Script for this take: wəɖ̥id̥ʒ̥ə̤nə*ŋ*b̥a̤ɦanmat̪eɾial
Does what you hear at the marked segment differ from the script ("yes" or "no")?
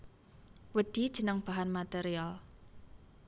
no